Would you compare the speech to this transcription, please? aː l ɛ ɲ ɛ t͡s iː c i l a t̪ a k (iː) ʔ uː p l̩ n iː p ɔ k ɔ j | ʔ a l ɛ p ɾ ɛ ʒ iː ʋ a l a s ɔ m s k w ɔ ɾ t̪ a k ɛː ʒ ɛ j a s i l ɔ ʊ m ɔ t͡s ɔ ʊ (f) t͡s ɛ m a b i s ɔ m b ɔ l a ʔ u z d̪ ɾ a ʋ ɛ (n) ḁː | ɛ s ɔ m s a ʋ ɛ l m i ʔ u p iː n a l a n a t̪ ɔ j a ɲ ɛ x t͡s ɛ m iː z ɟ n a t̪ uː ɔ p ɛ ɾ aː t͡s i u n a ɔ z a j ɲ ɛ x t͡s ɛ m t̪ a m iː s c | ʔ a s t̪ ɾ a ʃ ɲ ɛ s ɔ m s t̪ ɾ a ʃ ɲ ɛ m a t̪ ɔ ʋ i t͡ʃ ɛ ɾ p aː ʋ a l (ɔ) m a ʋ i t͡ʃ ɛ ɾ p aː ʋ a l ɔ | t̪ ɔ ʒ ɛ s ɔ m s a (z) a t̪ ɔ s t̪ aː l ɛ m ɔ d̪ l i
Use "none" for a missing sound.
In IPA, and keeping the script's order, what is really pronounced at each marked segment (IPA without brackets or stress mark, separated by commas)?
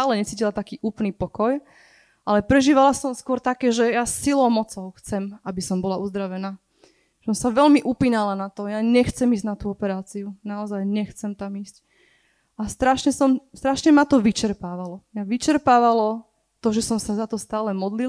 iː, x, n, ɔ, z